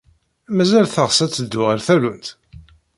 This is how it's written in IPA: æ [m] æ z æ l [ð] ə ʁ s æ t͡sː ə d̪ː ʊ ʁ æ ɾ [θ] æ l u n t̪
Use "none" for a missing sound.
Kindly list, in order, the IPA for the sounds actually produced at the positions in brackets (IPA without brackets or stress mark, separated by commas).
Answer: m, θ, θ